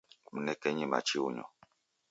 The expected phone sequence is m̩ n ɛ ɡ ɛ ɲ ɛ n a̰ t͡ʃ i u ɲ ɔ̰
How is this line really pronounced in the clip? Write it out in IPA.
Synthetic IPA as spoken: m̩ n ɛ k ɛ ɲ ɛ m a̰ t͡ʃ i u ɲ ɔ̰